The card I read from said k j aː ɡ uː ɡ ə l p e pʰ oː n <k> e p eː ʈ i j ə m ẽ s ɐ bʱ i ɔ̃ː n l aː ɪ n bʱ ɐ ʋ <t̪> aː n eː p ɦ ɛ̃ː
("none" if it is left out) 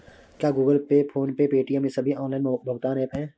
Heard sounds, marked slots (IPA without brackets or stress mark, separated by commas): p, t̪